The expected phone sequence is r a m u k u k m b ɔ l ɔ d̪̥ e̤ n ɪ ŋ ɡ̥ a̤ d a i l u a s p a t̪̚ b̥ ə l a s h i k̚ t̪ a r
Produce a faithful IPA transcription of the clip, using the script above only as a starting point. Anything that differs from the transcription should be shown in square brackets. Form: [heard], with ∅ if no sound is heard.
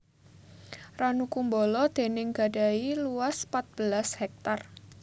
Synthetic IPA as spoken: r a [n] u k u [∅] m b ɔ l ɔ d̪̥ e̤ n ɪ ŋ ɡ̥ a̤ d a i l u a s p a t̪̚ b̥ ə l a s h [ɛ] k̚ t̪ a r